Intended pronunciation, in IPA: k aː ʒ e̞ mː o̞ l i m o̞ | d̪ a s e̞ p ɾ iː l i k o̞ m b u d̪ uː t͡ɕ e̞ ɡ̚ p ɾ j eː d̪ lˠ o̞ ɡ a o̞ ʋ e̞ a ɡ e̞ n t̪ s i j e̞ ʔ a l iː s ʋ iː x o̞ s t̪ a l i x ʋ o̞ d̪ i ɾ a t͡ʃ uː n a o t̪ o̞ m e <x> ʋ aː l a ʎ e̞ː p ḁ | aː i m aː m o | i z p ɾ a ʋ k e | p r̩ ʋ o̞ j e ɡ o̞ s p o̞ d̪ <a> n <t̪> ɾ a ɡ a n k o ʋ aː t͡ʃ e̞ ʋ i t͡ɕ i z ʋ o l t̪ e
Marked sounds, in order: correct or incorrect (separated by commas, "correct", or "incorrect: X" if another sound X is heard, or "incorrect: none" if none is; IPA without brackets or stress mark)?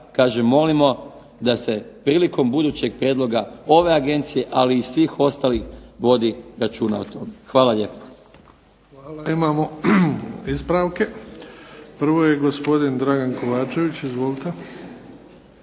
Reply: correct, incorrect: i, incorrect: d̪